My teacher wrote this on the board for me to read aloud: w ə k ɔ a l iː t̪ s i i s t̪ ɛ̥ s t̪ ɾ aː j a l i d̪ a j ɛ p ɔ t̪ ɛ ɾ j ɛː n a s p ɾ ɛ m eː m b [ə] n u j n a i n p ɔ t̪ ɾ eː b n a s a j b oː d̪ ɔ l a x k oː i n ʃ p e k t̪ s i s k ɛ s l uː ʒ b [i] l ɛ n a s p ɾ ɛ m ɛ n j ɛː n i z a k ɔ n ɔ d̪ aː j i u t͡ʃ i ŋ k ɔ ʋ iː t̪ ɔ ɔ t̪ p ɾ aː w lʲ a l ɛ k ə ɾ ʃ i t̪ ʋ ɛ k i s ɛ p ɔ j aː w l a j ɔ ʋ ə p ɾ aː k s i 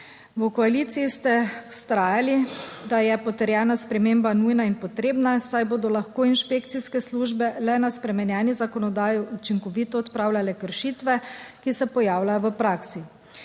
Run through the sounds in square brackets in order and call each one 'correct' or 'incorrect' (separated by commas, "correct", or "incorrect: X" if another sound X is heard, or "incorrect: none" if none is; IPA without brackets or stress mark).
incorrect: a, incorrect: ɛ